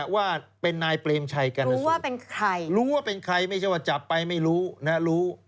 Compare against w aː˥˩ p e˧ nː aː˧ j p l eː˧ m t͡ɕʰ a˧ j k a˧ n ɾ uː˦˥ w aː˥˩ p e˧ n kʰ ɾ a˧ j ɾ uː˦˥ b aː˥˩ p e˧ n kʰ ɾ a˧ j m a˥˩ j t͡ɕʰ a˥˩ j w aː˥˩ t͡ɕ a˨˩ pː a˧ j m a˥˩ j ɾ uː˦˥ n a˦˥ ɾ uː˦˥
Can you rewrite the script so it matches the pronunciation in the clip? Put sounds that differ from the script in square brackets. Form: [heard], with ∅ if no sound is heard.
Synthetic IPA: w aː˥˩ p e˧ nː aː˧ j p l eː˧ m t͡ɕʰ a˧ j k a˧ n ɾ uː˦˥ w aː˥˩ p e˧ n kʰ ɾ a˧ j ɾ uː˦˥ [w] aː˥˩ p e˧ n kʰ ɾ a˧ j m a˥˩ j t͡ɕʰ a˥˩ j w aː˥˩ t͡ɕ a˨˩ pː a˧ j m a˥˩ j ɾ uː˦˥ n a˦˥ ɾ uː˦˥